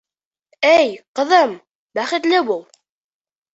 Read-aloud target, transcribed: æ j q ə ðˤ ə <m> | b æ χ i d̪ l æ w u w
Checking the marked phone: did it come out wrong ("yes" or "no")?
no